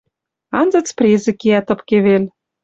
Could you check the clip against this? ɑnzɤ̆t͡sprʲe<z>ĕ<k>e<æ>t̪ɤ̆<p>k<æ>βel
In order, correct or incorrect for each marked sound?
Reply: correct, correct, correct, correct, incorrect: e

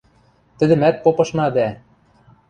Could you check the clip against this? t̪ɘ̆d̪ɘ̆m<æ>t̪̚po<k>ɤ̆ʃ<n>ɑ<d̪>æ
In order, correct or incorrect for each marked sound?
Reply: correct, incorrect: p, correct, correct

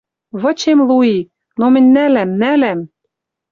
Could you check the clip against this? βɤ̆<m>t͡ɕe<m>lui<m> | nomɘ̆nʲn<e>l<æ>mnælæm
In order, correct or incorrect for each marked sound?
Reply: incorrect: none, correct, incorrect: none, incorrect: æ, correct

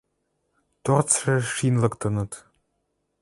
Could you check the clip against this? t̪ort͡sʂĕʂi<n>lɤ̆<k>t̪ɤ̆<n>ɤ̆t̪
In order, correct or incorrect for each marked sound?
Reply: correct, correct, correct

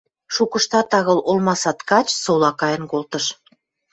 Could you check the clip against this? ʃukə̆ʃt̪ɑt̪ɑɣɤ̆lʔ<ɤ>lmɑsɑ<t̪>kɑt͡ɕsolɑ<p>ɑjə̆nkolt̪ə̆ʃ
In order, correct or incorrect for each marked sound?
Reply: incorrect: o, correct, incorrect: k

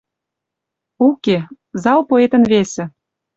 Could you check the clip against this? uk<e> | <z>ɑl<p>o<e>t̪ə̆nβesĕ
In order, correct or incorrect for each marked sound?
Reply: correct, correct, correct, correct

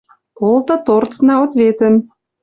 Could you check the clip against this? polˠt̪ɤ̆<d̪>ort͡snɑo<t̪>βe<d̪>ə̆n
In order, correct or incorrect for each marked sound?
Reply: incorrect: t̪, correct, incorrect: t̪

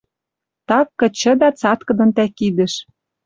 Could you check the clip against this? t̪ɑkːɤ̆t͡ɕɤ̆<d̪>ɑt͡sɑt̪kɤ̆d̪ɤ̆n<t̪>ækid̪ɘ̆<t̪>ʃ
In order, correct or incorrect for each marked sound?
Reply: correct, correct, incorrect: none

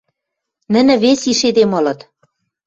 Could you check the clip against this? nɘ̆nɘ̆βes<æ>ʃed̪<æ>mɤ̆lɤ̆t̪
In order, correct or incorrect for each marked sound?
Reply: incorrect: i, incorrect: e

